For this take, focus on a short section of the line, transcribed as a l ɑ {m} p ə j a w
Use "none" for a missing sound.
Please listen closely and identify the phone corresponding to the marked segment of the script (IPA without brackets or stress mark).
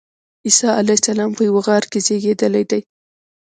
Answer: m